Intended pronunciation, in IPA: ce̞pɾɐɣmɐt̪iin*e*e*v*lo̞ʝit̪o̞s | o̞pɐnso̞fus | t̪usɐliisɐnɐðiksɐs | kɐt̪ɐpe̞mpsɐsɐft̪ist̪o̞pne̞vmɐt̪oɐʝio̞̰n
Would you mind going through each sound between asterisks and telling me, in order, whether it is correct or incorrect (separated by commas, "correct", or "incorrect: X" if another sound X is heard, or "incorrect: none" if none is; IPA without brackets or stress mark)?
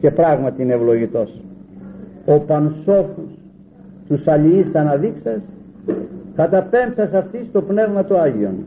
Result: correct, correct